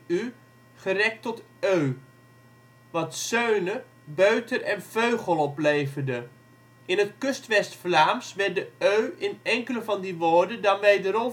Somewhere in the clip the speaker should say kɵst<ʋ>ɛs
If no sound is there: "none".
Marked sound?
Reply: ʋ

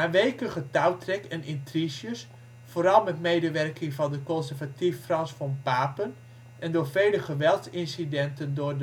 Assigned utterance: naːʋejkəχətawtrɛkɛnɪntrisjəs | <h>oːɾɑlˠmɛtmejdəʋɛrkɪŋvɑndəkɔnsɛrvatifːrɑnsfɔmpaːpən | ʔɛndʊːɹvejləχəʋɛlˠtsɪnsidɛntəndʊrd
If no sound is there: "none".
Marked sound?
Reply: f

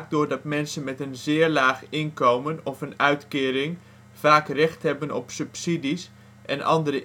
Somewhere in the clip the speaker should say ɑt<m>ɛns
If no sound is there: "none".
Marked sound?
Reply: m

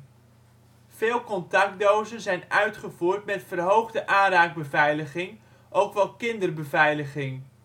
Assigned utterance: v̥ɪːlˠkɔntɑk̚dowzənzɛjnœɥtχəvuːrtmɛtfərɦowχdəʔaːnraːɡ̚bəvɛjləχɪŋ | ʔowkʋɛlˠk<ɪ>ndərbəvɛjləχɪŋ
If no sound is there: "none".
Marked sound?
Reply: ɪ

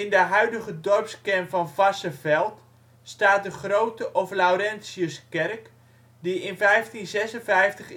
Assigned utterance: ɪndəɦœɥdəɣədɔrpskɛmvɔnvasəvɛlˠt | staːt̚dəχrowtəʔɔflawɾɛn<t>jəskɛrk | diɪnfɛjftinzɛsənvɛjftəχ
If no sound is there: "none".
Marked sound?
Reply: s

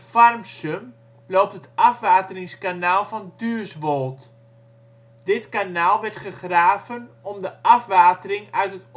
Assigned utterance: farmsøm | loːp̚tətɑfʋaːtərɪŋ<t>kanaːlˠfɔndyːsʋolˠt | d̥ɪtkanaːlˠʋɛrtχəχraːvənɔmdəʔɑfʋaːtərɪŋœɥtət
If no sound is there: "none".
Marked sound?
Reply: s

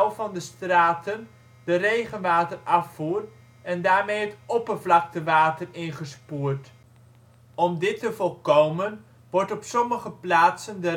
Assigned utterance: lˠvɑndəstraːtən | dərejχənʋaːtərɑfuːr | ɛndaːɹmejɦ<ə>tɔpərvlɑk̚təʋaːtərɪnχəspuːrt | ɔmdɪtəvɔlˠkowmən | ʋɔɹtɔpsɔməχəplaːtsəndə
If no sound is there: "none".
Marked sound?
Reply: ə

